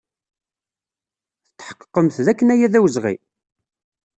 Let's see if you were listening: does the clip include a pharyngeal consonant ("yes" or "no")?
yes